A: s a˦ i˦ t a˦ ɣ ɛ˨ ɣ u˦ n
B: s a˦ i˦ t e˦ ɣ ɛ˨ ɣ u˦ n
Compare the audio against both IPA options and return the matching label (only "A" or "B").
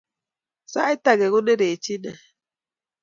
A